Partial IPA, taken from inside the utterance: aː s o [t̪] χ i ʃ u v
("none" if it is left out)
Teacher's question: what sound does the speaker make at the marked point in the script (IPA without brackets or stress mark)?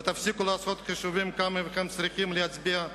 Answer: t̪